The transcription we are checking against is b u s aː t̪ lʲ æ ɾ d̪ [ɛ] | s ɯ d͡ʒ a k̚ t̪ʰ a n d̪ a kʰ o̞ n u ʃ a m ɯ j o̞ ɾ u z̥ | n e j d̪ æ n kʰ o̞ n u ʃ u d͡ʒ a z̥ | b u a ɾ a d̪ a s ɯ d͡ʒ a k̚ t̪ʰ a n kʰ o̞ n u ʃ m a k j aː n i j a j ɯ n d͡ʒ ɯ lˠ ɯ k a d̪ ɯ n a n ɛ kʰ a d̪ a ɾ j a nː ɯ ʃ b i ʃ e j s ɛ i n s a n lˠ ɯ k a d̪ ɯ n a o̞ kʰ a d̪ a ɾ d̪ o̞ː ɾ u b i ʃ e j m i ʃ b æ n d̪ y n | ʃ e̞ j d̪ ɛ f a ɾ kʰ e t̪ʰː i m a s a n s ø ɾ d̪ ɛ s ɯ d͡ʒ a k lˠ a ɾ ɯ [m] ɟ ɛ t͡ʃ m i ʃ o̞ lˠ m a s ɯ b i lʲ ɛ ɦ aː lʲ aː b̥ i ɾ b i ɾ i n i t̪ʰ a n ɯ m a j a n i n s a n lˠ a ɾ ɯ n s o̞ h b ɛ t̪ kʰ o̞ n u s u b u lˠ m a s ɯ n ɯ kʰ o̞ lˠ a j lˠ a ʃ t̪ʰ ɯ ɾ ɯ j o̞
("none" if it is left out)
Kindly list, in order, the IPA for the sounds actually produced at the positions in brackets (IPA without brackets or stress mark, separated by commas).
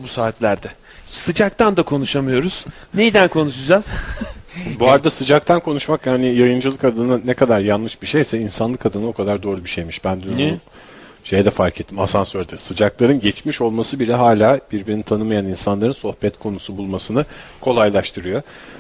ɛ, n